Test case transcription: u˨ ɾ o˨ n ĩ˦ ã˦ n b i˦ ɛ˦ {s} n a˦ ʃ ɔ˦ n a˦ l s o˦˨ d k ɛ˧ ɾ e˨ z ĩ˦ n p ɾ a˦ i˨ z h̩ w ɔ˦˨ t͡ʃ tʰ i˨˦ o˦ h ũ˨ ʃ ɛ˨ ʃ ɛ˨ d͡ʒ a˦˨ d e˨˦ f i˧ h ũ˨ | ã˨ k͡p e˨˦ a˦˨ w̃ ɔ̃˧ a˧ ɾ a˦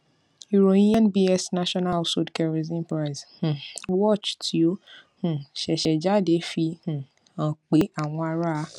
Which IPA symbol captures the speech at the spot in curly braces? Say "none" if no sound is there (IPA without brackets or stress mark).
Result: s